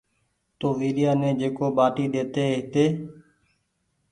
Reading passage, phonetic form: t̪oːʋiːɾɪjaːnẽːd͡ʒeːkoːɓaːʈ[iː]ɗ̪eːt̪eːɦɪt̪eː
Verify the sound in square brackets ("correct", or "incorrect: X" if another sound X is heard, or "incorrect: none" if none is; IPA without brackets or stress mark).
correct